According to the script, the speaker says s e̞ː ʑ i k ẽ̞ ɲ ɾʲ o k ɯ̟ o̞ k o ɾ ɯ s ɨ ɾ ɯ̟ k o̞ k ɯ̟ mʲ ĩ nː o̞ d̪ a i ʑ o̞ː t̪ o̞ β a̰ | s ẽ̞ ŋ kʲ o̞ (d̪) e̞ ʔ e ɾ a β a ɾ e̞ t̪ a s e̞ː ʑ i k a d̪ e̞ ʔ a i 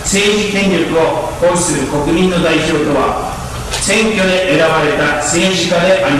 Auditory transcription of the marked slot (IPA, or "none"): d̪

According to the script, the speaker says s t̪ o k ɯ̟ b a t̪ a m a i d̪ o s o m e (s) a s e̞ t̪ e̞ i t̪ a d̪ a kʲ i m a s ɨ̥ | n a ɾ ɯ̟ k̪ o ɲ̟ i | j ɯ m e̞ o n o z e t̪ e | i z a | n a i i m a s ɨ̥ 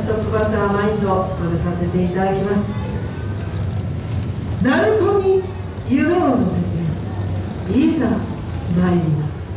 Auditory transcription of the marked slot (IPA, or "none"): s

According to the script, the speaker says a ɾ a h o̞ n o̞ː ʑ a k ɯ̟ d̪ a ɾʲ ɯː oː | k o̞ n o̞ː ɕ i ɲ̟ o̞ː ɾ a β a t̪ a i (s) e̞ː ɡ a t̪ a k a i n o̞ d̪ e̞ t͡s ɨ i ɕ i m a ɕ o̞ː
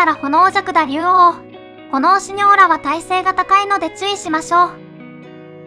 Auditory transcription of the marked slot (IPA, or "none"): s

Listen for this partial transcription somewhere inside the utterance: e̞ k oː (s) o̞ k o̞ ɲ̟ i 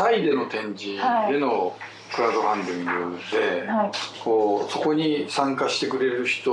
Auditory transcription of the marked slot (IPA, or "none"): s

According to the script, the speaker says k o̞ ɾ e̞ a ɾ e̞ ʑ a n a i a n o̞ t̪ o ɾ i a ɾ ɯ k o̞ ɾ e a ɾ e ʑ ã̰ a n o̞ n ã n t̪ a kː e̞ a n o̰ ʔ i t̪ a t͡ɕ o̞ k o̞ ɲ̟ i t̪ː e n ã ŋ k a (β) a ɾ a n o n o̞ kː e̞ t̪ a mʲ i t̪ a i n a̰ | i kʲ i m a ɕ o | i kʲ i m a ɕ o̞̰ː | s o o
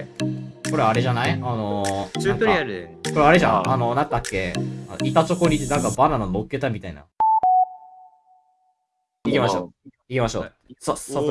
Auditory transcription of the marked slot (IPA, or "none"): b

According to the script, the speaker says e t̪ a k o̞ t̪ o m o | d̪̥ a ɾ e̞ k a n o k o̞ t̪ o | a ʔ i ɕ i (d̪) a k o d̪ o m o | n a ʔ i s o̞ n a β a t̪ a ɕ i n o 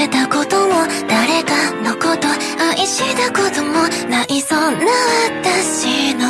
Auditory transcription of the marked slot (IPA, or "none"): d̪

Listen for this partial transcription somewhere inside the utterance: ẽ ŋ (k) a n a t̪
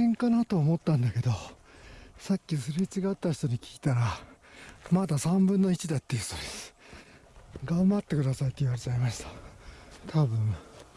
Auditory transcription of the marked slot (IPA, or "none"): k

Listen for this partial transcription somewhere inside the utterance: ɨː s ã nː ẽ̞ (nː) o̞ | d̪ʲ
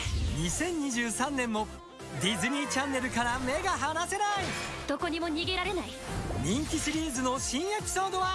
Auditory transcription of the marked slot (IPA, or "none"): mː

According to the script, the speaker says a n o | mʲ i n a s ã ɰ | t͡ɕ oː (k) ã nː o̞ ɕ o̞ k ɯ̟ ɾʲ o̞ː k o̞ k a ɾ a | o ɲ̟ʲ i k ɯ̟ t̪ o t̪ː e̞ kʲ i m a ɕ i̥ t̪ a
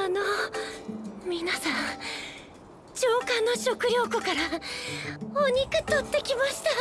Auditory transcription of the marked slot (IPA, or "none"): k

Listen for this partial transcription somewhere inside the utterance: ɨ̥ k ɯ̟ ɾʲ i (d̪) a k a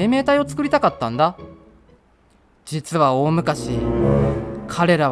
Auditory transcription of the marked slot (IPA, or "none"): t̪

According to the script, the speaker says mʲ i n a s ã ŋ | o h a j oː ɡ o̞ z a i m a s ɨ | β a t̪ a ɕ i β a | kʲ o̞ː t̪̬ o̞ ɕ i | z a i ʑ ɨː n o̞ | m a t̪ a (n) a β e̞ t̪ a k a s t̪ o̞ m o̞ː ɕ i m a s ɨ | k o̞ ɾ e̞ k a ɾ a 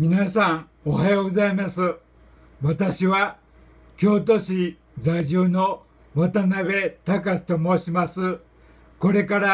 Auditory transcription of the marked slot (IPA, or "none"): n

